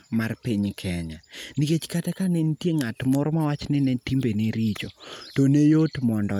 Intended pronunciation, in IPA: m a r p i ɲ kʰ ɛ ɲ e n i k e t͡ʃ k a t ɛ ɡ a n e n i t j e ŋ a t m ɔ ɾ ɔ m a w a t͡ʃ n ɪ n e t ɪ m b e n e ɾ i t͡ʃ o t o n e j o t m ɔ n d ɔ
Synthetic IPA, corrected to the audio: m a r p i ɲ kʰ ɛ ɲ a n i k e t͡ʃ k a t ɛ k a n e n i t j e ŋ a t m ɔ ɾ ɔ m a w a t͡ʃ n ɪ n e t i m b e n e ɾ i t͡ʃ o t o n e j o t m ɔ n d ɔ